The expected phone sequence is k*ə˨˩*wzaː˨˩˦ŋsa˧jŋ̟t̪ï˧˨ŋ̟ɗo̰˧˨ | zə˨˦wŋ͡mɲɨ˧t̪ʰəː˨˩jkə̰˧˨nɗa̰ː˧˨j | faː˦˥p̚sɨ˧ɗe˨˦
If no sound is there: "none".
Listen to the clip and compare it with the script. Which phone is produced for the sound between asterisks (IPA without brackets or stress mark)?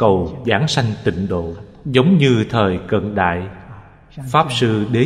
ə˨˩